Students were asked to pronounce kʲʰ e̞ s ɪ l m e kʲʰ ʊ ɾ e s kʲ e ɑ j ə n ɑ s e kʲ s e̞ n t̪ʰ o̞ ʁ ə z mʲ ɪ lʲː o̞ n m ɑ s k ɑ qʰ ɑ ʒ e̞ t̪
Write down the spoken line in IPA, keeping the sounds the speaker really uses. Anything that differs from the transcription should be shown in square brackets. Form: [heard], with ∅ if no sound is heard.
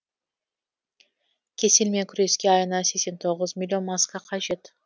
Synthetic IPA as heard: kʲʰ e̞ s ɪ l m e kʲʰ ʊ ɾ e s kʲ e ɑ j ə n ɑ s e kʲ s e̞ n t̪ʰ o̞ ʁ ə z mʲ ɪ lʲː o̞ n m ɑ s k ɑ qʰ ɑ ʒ e̞ t̪